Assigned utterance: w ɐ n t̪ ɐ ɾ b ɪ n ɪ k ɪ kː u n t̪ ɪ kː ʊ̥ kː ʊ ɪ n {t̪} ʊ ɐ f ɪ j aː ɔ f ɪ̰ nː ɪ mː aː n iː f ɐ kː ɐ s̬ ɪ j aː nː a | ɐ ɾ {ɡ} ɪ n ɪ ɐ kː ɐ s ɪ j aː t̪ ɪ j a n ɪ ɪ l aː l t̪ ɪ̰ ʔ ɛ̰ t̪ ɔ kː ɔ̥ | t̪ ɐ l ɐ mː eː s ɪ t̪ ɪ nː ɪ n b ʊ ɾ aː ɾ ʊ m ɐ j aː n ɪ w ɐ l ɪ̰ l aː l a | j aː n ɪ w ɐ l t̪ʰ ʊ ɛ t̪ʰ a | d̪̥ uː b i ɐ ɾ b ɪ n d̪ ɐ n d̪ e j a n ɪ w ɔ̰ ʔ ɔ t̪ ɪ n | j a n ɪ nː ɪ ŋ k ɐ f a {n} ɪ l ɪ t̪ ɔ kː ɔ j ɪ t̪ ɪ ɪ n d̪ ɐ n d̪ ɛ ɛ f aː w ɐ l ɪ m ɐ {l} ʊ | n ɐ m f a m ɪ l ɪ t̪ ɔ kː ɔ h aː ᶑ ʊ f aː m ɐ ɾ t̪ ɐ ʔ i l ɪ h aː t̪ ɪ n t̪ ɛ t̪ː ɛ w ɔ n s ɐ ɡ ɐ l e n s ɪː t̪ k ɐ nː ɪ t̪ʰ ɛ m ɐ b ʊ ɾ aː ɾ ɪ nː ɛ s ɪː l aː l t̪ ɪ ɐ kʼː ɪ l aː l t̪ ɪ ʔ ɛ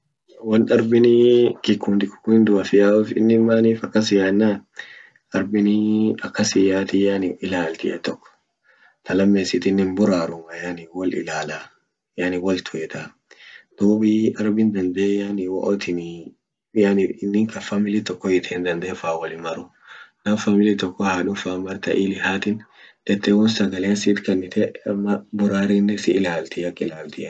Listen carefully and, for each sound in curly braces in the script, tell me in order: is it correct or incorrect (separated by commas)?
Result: incorrect, incorrect, incorrect, incorrect